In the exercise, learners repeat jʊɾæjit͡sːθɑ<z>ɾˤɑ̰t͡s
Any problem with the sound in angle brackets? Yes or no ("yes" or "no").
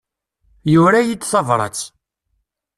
yes